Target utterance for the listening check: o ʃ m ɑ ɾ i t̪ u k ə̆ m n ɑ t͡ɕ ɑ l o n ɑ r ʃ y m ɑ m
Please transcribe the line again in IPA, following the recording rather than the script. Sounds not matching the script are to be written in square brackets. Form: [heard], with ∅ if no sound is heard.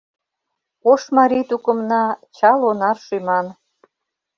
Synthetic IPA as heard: o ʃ m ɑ ɾ i t̪ u k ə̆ m n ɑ t͡ɕ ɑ l o n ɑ r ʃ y m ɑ [n]